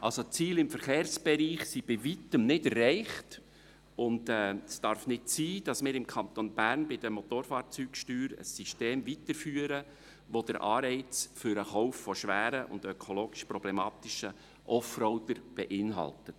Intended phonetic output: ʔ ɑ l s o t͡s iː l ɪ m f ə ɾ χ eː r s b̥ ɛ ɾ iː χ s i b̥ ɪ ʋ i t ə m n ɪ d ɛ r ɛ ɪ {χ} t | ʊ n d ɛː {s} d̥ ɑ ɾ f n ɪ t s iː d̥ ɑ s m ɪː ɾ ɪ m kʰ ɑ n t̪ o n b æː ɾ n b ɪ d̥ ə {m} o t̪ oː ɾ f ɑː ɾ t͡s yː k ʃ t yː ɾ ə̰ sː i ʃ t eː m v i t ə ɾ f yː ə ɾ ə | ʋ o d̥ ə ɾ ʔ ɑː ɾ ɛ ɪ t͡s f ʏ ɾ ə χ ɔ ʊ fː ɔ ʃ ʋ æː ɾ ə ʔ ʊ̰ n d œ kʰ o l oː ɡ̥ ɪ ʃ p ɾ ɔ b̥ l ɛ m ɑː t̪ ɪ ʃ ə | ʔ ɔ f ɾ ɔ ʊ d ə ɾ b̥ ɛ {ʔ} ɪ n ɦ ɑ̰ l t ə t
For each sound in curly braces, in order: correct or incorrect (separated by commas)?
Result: correct, correct, correct, correct